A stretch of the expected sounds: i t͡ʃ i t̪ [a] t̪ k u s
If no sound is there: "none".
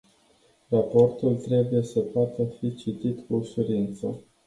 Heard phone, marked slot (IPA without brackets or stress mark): i